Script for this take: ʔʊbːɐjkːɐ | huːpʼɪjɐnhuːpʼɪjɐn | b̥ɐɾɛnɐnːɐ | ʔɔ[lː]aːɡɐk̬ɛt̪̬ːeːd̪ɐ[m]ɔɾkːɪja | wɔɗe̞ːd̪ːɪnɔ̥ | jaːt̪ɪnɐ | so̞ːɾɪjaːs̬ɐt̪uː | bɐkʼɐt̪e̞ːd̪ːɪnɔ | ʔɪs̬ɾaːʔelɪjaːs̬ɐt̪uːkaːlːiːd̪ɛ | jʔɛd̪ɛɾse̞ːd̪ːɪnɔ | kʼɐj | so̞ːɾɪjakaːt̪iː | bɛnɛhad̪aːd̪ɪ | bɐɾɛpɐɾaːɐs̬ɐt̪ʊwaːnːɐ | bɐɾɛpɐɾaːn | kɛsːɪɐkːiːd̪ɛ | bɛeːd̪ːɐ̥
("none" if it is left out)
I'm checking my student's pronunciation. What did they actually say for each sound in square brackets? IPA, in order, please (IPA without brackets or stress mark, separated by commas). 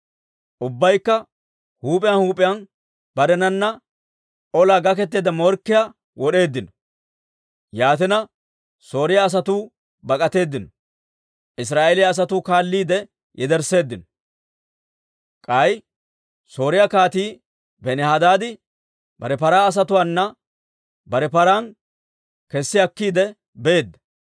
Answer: l, m